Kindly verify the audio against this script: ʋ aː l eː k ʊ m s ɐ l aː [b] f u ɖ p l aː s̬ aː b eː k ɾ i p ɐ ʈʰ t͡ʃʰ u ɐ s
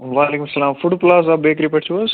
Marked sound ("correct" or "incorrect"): incorrect